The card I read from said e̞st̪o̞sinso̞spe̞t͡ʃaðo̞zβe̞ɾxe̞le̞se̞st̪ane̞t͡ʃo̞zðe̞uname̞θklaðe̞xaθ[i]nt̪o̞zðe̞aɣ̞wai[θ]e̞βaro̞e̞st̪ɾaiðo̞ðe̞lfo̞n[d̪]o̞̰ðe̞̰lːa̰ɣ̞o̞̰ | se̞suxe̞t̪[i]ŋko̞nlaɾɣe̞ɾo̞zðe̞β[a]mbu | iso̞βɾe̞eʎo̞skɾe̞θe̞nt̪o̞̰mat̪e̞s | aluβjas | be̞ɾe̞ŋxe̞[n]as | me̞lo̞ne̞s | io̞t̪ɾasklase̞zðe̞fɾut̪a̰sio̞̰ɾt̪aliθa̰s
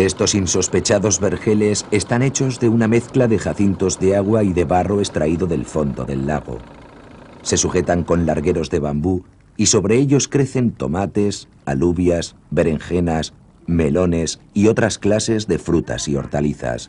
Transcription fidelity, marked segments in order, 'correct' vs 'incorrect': correct, incorrect: ð, correct, incorrect: a, correct, correct

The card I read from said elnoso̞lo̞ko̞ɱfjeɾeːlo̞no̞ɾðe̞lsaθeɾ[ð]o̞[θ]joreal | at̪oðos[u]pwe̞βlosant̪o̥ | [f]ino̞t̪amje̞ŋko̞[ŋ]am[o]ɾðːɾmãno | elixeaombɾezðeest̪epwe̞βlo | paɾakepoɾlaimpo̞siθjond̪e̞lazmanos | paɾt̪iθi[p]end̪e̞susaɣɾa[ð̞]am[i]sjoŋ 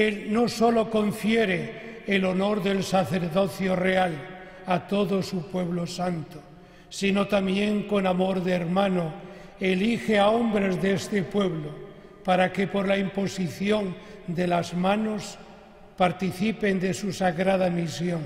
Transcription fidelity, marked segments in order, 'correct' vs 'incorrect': correct, correct, correct, incorrect: s, incorrect: n, correct, correct, correct, correct

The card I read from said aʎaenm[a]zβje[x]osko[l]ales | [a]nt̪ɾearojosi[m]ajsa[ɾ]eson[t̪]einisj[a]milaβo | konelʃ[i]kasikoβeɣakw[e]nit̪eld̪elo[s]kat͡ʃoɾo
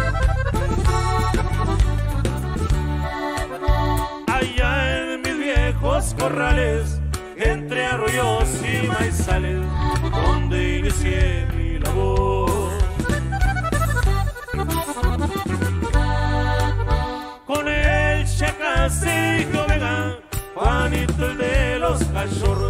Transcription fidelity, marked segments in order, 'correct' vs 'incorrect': incorrect: i, correct, incorrect: r, incorrect: e, correct, incorrect: l, incorrect: d̪, incorrect: e, incorrect: e, incorrect: a, correct

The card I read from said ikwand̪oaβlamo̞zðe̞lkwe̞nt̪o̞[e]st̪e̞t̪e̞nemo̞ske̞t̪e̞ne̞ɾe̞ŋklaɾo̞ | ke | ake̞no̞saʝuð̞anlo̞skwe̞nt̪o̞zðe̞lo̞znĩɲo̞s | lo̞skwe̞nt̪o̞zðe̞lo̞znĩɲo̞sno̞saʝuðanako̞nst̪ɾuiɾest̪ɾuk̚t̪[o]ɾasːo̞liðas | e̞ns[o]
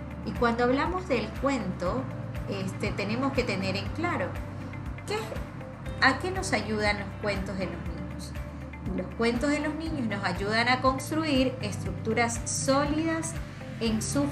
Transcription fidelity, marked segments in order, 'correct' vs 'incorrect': correct, incorrect: u, incorrect: u

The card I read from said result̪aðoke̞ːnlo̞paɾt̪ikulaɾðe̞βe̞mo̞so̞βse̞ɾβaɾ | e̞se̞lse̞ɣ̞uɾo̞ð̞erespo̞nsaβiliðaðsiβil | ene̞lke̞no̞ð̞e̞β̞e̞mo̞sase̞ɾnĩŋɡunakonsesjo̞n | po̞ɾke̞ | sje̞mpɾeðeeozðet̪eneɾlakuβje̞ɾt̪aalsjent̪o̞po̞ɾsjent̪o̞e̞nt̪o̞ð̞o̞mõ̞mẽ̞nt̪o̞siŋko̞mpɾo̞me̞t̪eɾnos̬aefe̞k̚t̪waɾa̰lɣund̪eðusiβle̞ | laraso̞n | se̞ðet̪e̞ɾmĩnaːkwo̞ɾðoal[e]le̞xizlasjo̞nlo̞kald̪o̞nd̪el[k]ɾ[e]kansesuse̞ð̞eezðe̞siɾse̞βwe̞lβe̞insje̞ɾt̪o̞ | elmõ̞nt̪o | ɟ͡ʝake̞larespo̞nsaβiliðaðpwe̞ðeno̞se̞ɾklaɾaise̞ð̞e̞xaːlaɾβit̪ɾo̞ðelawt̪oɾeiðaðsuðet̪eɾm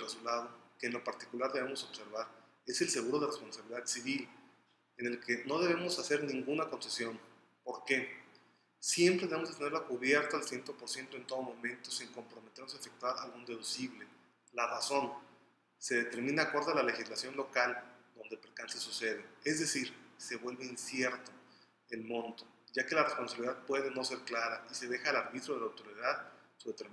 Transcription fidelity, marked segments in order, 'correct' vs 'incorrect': incorrect: a, incorrect: p, correct

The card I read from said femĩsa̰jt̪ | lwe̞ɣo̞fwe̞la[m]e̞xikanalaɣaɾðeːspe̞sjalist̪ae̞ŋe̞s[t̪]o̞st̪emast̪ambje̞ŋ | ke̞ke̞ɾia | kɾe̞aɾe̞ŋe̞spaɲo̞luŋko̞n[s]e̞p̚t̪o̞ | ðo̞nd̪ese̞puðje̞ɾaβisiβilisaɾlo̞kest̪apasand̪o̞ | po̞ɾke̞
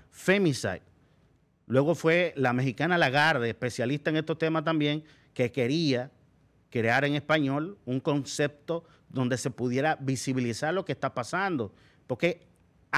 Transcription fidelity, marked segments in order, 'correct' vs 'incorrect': correct, correct, correct

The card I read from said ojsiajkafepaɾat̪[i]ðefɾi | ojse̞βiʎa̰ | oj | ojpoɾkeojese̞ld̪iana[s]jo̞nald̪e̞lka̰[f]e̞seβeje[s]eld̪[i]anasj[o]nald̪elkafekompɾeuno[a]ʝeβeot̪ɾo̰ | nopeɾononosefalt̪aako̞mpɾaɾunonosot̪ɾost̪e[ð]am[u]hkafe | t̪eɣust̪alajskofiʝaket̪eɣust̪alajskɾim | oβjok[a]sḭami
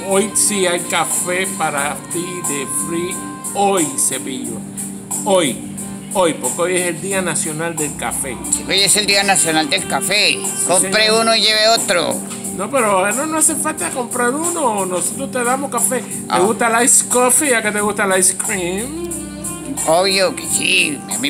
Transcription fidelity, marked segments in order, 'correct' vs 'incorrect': correct, correct, correct, correct, correct, correct, incorrect: i, correct, incorrect: o, incorrect: e

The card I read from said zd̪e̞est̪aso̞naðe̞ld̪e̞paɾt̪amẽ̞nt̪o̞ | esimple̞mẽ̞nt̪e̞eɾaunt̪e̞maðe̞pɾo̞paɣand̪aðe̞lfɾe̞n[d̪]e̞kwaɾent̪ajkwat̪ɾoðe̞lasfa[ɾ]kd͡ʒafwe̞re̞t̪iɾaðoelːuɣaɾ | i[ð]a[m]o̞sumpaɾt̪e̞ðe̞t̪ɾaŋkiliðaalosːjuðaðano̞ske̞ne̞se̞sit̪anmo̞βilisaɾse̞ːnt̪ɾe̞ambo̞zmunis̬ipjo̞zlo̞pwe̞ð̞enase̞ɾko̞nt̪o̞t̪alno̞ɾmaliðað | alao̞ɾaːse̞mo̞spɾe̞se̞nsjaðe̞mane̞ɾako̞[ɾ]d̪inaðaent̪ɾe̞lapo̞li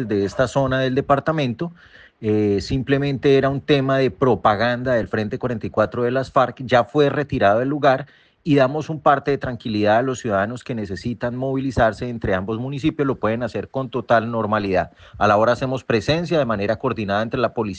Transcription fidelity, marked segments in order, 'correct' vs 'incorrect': incorrect: t̪, correct, correct, correct, correct

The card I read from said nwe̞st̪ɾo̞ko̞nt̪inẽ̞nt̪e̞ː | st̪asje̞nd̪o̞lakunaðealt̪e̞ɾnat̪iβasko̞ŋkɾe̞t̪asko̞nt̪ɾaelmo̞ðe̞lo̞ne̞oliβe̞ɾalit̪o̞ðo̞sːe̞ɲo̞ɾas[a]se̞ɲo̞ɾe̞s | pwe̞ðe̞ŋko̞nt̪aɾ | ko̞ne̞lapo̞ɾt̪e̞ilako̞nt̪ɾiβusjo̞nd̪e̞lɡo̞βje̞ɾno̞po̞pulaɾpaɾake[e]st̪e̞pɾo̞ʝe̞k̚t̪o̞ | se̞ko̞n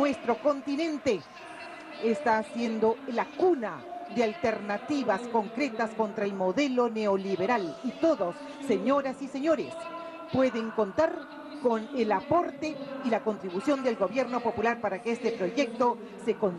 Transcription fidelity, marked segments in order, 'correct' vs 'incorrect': incorrect: i, correct

